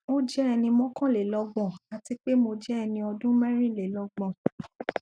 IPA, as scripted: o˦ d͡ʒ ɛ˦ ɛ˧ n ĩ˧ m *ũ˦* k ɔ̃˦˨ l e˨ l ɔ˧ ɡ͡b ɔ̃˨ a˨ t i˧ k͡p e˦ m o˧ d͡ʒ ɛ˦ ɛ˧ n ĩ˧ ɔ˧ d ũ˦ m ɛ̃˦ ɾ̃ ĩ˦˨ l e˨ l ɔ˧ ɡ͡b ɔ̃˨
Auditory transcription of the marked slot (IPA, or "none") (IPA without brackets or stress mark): ɔ̃˦